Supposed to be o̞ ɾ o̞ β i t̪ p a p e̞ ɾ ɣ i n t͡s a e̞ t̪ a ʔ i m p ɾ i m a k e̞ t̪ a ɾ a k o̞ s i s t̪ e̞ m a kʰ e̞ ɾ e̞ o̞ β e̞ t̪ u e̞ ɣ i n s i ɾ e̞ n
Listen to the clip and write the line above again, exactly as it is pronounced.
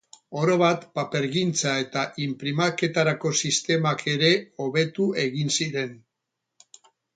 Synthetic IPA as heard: o̞ ɾ o̞ β a t̪ p a p e̞ ɾ ɣ i n t͡s a e̞ t̪ a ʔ i m p ɾ i m a k e̞ t̪ a ɾ a k o̞ s i s t̪ e̞ m a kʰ e̞ ɾ e̞ o̞ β e̞ t̪ u e̞ ɣ i n s i ɾ e̞ n